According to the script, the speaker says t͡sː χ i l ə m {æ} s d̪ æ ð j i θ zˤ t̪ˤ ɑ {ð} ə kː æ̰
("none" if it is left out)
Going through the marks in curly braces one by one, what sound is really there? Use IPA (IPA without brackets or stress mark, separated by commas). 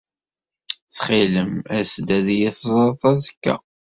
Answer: æ, z